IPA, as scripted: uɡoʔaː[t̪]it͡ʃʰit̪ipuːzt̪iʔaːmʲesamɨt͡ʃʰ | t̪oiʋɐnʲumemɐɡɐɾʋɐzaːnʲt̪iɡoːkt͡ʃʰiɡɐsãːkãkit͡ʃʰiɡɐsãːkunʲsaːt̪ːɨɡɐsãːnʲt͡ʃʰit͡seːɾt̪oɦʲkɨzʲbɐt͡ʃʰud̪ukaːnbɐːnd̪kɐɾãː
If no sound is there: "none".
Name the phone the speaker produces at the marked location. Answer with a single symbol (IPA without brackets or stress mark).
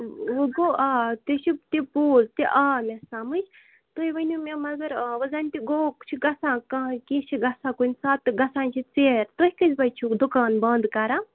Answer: t̪